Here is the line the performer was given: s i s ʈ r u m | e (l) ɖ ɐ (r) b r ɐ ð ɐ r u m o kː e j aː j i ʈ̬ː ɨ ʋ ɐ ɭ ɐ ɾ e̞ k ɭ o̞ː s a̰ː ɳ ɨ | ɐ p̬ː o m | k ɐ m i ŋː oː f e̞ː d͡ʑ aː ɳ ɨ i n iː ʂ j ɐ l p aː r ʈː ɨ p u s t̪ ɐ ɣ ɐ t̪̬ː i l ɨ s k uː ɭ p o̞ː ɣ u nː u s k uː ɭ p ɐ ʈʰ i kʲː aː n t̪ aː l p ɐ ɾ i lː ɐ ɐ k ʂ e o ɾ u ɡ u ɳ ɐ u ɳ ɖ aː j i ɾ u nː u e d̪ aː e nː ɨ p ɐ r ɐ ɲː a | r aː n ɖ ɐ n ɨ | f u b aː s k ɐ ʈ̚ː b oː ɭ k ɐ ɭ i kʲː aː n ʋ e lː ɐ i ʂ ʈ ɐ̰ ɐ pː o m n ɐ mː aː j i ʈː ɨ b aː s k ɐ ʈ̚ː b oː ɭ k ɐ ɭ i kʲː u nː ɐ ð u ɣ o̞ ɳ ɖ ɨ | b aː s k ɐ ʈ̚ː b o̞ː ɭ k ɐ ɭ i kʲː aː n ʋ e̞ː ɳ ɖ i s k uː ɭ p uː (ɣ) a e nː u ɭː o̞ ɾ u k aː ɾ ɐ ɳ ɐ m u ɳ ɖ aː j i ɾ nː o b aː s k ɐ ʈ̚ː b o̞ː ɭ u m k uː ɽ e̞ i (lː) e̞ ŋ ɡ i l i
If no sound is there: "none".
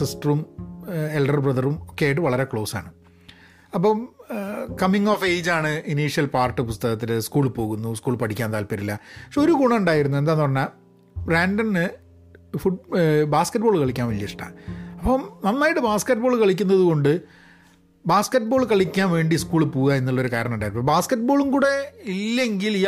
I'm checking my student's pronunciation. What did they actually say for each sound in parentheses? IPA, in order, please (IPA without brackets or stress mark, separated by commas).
l, r, ɣ, lː